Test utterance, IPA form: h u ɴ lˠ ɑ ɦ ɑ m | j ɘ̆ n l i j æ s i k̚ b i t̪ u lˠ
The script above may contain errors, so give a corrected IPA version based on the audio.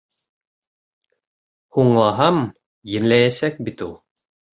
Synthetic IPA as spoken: h u ɴ lˠ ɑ ɦ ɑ m | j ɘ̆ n l æ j æ s æ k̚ b i t̪ u lˠ